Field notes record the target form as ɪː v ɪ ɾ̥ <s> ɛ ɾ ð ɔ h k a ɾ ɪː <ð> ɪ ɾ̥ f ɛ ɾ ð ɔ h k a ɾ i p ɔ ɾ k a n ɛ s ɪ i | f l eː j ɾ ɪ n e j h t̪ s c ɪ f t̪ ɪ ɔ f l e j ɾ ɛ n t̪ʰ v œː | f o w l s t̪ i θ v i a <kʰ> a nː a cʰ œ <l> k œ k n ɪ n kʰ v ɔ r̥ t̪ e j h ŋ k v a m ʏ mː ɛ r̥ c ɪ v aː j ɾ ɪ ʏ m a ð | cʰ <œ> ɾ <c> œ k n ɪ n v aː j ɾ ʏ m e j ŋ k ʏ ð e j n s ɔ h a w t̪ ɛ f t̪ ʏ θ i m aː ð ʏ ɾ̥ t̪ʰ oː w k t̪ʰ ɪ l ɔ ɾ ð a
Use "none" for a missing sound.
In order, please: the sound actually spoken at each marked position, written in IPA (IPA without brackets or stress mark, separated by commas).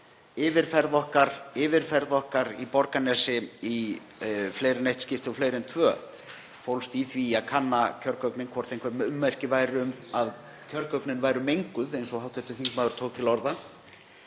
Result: f, v, kʰ, ɾ, œ, k